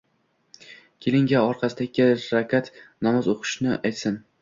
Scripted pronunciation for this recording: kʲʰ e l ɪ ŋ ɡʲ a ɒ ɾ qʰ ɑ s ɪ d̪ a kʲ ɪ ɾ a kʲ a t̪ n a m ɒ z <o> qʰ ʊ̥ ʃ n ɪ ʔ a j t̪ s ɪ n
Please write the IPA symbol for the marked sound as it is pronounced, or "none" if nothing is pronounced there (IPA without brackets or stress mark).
o